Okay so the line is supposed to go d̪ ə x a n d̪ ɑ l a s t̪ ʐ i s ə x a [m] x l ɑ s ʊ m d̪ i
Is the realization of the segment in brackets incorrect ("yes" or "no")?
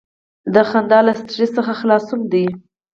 yes